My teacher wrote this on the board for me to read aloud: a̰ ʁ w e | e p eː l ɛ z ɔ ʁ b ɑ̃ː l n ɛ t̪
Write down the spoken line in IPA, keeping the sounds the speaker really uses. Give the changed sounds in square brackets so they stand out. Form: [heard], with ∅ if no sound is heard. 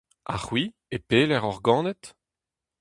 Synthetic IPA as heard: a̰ [χ] w [i] | e p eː l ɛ [ʁ] ɔ ʁ [ɡ] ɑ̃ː [∅] n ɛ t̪